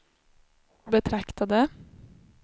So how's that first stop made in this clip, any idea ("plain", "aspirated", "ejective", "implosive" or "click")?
plain